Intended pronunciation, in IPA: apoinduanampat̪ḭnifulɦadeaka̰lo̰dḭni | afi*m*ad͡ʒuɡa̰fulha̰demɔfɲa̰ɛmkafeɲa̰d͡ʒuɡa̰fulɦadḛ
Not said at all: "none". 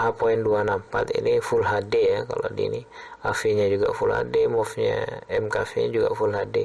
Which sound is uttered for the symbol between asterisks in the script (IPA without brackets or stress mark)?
ɲ